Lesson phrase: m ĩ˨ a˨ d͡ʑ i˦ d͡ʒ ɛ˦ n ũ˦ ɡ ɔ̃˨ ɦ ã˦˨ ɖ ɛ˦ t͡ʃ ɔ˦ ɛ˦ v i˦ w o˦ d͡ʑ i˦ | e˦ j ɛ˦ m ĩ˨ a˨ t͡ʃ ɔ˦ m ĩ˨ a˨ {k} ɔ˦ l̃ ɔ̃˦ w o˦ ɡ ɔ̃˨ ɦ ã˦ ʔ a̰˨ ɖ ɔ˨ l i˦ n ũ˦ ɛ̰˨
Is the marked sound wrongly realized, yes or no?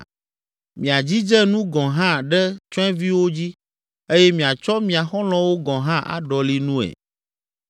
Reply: yes